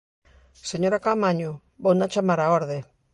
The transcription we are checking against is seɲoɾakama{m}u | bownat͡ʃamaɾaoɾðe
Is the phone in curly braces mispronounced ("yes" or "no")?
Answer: yes